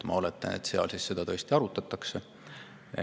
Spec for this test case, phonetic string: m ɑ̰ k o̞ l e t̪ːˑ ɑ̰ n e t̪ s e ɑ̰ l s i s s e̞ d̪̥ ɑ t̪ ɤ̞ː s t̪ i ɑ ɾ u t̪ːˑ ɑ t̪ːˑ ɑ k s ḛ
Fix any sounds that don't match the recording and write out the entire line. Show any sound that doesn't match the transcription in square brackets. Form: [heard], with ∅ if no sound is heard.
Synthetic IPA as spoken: m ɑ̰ [∅] o̞ l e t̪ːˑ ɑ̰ n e t̪ s e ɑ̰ l s i s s e̞ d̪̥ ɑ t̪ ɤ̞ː s t̪ i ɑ ɾ u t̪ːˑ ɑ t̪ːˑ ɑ k s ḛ